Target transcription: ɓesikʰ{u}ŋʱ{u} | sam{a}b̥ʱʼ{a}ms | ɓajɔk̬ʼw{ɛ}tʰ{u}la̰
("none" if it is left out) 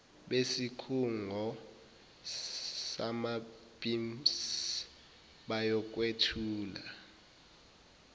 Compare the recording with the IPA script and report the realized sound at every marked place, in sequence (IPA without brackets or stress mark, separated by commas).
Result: u, ɔ, a, i, e, uː